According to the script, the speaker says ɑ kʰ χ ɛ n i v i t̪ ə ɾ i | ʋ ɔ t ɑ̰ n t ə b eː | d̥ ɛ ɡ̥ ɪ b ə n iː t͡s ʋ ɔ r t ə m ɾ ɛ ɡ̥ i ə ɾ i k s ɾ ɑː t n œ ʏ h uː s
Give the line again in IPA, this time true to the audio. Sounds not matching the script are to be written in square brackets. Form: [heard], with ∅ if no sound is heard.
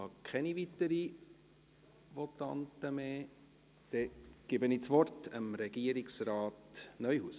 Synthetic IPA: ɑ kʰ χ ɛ n i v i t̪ ə ɾ i | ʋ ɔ t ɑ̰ n t ə [m] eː | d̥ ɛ ɡ̥ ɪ b ə n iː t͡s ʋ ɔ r t ə m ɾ ɛ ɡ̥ i ə ɾ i k s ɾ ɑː t n œ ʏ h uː s